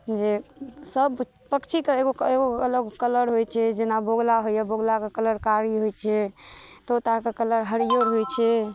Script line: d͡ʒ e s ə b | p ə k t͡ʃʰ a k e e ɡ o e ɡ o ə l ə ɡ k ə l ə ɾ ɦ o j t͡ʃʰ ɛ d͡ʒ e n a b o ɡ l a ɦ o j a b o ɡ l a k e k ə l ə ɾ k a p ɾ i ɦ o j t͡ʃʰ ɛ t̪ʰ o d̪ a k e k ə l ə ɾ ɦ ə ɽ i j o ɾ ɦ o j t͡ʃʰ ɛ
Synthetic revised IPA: d͡ʒ e s ə b | p ə k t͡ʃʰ i k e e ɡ o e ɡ o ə l ə ɡ k ə l ə ɾ ɦ o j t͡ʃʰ ɛ d͡ʒ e n a b o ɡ l a ɦ o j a b o ɡ l a k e k ə l ə ɾ k a ɾ i ɦ o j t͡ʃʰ ɛ t̪ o t̪ a k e k ə l ə ɾ ɦ ə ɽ i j o ɾ ɦ o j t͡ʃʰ ɛ